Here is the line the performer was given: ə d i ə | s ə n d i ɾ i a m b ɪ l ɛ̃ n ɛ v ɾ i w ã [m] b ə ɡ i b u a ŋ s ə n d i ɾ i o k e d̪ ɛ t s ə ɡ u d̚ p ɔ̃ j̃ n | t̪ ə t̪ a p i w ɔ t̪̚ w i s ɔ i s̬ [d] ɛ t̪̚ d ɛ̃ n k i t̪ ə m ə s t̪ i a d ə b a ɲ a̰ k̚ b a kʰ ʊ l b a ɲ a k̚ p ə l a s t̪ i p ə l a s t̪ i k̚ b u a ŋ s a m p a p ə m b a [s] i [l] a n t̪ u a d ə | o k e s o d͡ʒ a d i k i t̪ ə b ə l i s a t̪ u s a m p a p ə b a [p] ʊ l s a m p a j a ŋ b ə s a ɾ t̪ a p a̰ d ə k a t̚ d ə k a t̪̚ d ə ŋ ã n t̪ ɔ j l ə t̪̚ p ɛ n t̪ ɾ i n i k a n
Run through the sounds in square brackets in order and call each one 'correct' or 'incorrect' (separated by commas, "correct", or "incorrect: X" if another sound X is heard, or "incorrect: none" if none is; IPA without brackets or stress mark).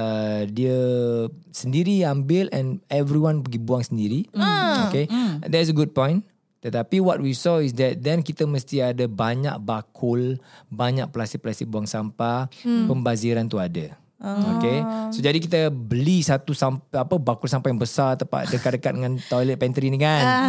incorrect: n, correct, incorrect: z, incorrect: ɾ, incorrect: k